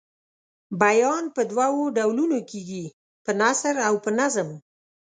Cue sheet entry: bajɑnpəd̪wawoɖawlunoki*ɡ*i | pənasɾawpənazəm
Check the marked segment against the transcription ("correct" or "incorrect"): correct